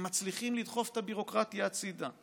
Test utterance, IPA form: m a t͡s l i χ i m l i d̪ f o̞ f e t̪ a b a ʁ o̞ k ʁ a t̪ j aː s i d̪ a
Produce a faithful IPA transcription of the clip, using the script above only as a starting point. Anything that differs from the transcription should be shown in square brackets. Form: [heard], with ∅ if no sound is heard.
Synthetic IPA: m a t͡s l i χ i m l i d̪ [χ] o̞ f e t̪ a b [i] ʁ o̞ k ʁ a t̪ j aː [t͡s] i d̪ a